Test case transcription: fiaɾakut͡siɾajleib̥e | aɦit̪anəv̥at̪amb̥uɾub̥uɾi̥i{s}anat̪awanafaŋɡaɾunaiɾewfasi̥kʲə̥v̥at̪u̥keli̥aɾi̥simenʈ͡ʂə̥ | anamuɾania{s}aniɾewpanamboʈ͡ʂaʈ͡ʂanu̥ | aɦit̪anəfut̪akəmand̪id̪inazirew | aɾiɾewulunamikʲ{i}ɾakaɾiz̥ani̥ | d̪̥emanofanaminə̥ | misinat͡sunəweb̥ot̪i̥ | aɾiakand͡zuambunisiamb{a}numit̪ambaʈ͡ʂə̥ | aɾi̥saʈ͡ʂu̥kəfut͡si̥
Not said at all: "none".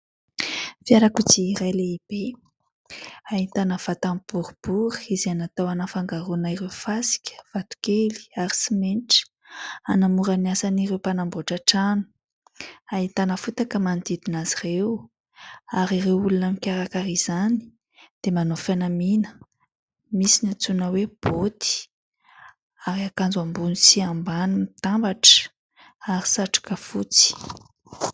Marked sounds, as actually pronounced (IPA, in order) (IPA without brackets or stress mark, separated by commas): z, s, a, a